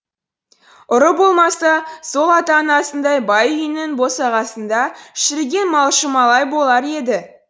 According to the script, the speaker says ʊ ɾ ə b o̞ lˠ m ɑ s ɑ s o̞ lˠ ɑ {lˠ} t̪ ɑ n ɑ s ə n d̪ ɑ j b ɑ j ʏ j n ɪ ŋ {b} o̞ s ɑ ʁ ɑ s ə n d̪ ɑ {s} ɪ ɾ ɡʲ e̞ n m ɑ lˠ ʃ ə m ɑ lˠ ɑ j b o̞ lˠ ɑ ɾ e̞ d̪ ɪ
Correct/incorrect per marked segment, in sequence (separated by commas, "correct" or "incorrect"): incorrect, correct, incorrect